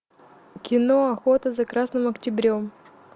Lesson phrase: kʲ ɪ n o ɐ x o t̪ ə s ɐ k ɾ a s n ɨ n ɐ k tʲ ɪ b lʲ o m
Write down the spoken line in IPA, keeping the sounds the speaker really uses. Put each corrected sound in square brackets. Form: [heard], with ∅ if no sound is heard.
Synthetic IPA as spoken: kʲ ɪ n o ɐ x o t̪ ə [z] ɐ k ɾ a s n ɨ [m] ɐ k tʲ ɪ b [ɾʲ] o m